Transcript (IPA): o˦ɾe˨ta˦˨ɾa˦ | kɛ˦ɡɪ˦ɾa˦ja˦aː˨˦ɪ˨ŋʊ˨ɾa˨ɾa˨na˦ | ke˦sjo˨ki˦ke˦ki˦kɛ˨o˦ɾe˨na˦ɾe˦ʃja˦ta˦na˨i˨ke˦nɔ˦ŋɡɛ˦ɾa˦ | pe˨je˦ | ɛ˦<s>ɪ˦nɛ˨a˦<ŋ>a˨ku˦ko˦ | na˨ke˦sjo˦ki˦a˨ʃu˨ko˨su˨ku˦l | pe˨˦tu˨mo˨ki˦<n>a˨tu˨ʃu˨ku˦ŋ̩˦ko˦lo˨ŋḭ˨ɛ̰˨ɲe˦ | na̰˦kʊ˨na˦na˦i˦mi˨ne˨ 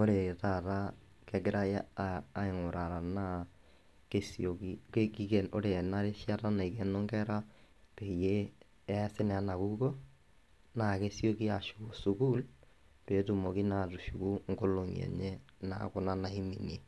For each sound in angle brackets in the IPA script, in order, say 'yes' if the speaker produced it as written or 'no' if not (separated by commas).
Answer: yes, no, yes